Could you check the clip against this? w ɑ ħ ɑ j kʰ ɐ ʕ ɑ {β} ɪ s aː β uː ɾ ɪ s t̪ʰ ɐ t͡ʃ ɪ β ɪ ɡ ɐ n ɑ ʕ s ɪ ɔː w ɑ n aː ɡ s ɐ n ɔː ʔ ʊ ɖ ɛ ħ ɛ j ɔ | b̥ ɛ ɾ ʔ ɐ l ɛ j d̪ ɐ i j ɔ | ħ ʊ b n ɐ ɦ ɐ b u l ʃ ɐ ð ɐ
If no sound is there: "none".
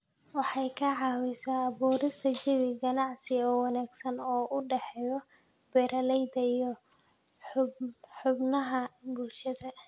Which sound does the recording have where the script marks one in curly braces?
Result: w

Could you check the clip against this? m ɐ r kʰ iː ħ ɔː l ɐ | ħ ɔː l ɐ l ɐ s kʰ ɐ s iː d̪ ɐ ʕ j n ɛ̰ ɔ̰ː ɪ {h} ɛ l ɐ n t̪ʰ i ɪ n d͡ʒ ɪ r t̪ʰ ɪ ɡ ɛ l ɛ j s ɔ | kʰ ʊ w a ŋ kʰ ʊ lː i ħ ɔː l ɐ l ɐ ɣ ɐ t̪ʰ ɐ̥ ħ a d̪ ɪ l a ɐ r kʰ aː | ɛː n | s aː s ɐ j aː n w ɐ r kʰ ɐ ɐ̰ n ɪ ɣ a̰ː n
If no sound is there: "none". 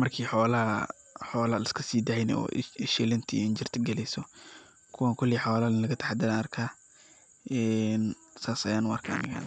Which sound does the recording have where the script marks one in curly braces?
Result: ʃ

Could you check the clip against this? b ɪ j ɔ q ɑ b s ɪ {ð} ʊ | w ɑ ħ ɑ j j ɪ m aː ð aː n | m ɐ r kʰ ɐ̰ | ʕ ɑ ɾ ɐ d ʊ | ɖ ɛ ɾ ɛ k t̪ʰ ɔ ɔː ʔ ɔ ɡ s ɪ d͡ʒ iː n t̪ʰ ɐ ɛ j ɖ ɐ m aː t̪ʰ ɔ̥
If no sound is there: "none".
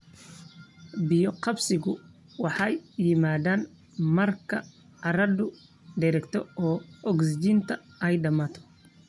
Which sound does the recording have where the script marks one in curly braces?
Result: ɣ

